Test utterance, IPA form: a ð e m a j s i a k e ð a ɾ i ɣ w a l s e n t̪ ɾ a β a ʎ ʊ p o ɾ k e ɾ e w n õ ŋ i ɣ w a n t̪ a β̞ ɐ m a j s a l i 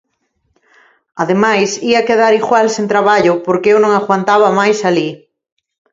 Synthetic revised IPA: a ð e m a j s i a k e ð a ɾ i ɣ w a l s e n t̪ ɾ a β a ʎ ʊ p o ɾ k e e w n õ ŋ a ɣ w a n t̪ a β̞ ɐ m a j s a l i

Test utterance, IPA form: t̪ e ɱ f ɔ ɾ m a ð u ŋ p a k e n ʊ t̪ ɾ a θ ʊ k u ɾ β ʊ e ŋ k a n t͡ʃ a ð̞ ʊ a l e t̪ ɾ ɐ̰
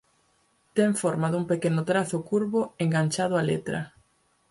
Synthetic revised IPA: t̪ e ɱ f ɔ ɾ m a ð u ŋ p e k e n ʊ t̪ ɾ a θ ʊ k u ɾ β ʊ e ŋ ɡ a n t͡ʃ a ð̞ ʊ a l e t̪ ɾ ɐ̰

